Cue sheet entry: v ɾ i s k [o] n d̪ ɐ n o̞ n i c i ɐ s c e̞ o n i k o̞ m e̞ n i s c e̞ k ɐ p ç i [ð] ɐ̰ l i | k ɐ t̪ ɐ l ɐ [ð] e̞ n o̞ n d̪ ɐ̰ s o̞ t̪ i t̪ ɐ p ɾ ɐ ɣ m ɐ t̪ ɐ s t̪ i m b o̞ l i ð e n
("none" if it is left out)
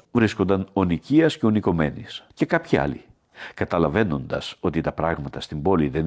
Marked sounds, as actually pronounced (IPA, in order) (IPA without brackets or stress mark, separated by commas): o, none, v